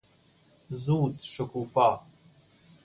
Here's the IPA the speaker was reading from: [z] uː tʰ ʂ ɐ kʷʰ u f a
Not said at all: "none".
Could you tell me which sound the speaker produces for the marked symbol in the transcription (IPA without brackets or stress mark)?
z